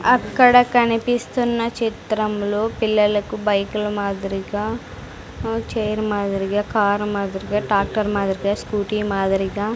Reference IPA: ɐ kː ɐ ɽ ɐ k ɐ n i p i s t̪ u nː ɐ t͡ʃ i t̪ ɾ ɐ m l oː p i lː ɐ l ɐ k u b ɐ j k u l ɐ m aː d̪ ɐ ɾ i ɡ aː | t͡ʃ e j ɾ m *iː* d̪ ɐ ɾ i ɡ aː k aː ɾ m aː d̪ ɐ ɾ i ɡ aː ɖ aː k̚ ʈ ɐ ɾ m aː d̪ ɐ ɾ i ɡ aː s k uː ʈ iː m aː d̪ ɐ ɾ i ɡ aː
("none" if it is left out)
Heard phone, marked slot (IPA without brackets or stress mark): aː